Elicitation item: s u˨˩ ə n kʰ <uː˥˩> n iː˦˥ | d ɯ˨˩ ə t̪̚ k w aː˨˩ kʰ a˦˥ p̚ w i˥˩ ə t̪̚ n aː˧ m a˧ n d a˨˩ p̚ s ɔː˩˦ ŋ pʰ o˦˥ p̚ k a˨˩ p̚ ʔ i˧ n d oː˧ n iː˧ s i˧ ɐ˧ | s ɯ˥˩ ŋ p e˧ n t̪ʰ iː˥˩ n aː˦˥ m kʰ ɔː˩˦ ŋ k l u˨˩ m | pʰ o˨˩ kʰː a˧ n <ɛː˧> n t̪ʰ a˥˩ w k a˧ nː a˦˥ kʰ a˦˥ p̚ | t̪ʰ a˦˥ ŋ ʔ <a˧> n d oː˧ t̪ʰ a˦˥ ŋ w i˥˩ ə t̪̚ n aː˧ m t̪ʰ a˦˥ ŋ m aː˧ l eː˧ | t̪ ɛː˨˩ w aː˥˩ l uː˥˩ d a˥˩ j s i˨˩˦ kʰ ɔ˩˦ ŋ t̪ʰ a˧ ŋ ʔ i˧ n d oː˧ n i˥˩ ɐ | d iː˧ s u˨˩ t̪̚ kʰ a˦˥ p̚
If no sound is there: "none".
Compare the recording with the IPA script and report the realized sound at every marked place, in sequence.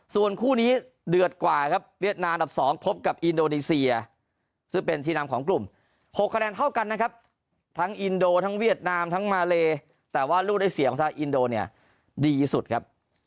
uː˥˩, ɛː˧, i˧

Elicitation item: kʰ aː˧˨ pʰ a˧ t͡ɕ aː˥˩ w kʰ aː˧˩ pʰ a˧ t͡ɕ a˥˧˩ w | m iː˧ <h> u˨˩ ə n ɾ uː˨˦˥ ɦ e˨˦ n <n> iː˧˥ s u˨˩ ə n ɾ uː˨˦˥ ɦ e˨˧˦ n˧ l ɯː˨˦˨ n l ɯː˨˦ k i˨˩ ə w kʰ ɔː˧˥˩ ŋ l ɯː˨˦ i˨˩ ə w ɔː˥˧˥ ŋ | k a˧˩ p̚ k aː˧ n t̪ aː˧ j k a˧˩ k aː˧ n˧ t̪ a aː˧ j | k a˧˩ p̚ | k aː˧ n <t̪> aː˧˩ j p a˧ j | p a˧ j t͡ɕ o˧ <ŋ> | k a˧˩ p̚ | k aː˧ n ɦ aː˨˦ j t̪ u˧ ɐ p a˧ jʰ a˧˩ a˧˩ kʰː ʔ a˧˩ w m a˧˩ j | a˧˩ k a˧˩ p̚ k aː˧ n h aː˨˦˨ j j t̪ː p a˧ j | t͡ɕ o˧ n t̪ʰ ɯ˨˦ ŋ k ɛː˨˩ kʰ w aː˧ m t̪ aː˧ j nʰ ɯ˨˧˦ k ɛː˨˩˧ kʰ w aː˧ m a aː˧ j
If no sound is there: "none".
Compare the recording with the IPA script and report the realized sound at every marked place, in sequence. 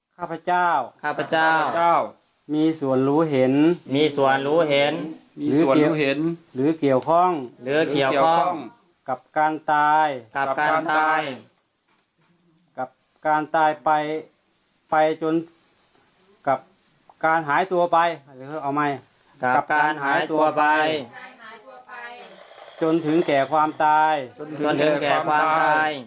s, m, t̪, n

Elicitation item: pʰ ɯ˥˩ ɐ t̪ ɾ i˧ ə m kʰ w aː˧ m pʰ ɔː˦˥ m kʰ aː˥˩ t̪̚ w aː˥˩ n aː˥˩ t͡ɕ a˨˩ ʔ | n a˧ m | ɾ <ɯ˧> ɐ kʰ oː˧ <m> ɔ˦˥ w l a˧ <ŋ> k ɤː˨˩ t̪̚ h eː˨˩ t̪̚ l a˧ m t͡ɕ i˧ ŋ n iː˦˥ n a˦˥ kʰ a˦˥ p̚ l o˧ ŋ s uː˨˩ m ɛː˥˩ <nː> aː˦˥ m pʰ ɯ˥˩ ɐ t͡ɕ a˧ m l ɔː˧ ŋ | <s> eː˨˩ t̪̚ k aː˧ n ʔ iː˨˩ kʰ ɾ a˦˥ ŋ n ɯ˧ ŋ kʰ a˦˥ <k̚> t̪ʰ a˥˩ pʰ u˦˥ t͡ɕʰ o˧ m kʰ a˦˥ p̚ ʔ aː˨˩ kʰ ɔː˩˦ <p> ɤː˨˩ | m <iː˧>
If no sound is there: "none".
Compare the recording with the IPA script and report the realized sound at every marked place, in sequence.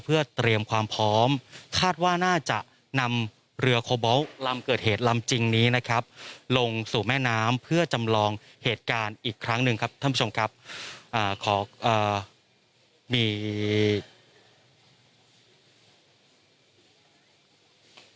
ɯ˧, b, m, n, h, p̚, ʔ, iː˧

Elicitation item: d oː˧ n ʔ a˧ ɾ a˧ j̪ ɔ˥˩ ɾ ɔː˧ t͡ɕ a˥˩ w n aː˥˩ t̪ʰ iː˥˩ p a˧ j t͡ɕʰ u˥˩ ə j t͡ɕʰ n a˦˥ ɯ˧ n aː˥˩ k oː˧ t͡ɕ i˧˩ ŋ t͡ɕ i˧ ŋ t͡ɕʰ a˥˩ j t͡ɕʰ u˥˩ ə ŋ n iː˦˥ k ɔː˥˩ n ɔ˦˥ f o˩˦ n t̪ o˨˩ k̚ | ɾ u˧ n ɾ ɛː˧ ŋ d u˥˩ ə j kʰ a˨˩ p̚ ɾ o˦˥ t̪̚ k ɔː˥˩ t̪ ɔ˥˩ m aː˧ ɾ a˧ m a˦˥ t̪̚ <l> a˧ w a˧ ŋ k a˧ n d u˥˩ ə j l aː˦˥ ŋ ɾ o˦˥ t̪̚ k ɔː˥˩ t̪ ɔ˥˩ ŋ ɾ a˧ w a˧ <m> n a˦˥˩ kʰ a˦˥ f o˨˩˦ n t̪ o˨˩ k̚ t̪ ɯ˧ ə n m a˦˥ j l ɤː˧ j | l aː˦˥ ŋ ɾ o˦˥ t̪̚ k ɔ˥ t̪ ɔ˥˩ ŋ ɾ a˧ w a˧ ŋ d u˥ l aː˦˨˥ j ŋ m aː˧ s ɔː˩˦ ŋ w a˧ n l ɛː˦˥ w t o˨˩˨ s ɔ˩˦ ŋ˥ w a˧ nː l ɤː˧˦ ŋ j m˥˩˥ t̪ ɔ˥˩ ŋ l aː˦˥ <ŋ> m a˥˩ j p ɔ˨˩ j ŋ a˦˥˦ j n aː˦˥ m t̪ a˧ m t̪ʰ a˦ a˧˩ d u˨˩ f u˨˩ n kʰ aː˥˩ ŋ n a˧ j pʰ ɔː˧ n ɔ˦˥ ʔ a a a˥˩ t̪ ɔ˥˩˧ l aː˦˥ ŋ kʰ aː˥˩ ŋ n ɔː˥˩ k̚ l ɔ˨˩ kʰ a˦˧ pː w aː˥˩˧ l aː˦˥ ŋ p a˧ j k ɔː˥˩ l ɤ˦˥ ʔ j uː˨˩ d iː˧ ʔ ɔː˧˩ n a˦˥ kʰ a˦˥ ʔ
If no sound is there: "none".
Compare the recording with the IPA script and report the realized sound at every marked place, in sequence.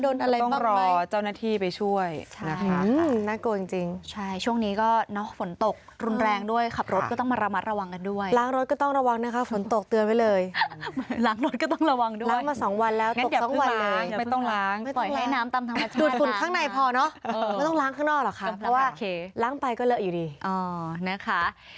ɾ, ŋ, ŋ

